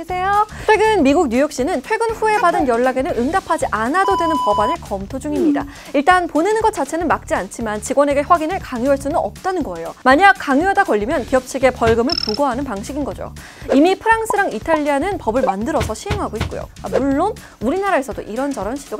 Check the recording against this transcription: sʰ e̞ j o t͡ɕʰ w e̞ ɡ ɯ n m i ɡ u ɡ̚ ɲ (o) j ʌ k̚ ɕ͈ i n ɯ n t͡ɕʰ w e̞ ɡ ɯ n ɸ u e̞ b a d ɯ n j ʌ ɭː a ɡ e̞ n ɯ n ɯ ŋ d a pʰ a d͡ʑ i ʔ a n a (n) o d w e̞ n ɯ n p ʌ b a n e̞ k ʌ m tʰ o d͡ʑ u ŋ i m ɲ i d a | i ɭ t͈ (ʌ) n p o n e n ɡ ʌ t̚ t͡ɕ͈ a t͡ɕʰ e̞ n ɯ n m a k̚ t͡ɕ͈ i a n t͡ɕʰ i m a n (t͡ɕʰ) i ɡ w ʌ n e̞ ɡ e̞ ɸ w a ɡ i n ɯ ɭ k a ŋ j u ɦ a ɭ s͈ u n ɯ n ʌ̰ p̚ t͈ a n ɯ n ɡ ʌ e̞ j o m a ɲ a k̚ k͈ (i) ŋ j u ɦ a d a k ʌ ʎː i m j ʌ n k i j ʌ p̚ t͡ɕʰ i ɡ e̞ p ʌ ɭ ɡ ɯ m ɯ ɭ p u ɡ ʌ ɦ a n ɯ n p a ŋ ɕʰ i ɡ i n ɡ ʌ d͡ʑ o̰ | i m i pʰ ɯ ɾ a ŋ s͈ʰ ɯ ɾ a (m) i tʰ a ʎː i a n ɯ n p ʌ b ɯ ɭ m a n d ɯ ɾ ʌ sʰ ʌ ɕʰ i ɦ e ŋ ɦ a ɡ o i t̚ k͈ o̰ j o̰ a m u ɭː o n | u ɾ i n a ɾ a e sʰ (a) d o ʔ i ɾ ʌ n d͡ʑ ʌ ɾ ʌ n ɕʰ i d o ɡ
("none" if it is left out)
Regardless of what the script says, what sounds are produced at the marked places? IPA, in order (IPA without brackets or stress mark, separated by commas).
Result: u, d, a, t͡ɕ, a, ŋ, ʌ